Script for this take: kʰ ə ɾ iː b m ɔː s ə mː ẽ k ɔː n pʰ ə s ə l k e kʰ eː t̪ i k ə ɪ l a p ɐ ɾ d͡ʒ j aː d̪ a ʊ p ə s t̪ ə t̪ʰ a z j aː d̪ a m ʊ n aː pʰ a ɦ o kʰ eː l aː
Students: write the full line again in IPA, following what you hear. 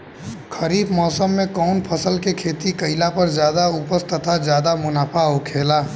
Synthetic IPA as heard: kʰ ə ɾ iː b m ɔː s ə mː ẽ k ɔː n pʰ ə s ə l k e kʰ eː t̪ i k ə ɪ l a p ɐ ɾ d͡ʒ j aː d̪ a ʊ p ə s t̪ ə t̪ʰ a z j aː d̪ a m ʊ n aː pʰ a ɦ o kʰ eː l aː